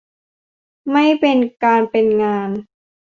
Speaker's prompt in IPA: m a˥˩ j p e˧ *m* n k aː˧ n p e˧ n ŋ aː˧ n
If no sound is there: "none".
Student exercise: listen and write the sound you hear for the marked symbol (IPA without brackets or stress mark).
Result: none